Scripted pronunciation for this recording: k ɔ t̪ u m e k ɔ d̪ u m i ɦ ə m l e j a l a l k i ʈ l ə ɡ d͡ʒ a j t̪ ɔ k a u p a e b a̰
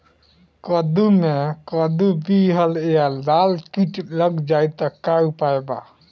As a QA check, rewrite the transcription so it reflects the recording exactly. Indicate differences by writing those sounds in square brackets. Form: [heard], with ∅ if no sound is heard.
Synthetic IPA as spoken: k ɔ [d̪] u m e k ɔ d̪ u [b] i ɦ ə [∅] l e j a l a l k i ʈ l ə ɡ d͡ʒ a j t̪ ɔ k a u p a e b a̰